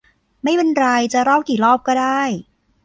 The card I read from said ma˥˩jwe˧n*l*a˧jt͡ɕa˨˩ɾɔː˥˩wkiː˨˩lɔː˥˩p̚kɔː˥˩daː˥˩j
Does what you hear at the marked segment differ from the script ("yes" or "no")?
yes